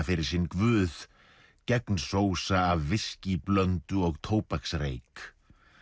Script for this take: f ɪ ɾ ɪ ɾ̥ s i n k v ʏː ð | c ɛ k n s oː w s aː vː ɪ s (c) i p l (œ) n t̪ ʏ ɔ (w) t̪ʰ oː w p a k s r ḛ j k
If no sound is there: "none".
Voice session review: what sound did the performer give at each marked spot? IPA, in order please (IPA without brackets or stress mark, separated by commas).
c, œ, ɣ